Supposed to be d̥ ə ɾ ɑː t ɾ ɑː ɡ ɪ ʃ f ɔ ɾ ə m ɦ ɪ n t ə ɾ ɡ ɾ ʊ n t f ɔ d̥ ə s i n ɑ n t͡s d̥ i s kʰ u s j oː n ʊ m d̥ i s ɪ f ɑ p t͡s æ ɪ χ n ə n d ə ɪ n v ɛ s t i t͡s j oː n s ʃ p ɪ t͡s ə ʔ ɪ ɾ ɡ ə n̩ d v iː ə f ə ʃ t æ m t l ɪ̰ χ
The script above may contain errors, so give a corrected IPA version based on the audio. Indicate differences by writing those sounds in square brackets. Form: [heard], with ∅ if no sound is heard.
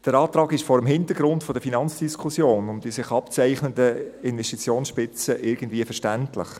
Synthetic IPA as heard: d̥ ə ɾ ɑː t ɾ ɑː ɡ ɪ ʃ f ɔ ɾ ə m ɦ ɪ n t ə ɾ ɡ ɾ ʊ n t f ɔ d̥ ə [f] i n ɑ n t͡s d̥ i s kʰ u s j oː n ʊ m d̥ i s ɪ [χ] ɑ p t͡s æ ɪ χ n ə n d ə ɪ n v ɛ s t i t͡s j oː n s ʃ p ɪ t͡s ə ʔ ɪ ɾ ɡ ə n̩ d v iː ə f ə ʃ t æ [n] t l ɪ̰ χ